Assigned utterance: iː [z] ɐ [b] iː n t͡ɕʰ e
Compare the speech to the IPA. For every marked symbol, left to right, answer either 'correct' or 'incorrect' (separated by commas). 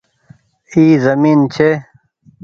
correct, incorrect